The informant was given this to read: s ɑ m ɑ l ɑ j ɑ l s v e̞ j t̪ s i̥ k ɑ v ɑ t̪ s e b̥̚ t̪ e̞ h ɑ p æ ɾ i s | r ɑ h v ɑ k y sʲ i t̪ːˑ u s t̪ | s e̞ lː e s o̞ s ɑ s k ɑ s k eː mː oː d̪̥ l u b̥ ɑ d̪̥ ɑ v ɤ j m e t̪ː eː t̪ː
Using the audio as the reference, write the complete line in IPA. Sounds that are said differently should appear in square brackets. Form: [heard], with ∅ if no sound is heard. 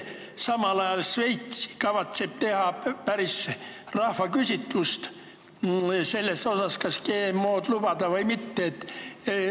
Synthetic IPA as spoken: s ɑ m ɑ l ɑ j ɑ l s v e̞ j t̪ s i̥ k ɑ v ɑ t̪ s e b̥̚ t̪ e̞ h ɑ p æ ɾ i s | r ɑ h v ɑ k y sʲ i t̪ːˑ u s t̪ | s e̞ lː e s o̞ s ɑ s k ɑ s k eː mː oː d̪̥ l u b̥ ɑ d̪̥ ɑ v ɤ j m [i] t̪ː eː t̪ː

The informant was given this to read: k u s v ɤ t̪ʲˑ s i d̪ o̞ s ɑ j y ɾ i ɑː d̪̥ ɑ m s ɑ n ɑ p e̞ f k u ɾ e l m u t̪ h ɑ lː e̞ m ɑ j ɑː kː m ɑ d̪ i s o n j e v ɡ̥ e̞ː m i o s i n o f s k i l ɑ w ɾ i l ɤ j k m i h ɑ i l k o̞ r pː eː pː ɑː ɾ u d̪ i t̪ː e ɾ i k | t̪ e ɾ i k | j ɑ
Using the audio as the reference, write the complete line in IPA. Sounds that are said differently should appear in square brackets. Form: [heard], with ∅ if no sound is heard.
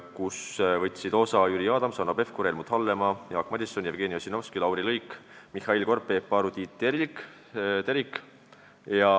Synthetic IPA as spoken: k u s v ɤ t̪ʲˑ s i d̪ o̞ s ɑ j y ɾ i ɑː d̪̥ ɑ m s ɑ n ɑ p e̞ f k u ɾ e l m u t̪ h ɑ lː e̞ m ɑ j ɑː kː m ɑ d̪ i s o n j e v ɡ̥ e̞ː [n] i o s i n o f s k i l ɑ w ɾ i l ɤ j k m i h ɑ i l k o̞ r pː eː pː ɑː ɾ u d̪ i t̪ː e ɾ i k | t̪ e ɾ i k | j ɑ

